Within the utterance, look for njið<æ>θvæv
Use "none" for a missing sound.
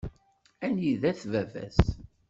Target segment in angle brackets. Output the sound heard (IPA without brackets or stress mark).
æ